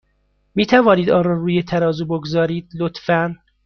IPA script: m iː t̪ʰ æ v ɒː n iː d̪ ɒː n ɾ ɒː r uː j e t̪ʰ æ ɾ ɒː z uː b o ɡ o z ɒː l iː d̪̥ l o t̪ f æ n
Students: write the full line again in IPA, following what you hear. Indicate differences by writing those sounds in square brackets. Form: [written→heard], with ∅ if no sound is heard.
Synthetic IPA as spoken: m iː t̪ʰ æ v ɒː n iː d̪ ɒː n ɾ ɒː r uː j e t̪ʰ æ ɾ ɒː z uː b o ɡ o z ɒː [l→ɾ] iː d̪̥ l o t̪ f æ n

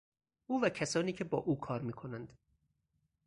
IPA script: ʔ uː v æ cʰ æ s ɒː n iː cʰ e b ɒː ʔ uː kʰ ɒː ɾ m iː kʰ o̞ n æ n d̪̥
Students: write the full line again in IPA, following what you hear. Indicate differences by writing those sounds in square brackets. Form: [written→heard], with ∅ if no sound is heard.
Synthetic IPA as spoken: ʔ uː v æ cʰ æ s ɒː n iː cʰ e b ɒː ʔ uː kʰ ɒː ɾ m iː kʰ o̞ n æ n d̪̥

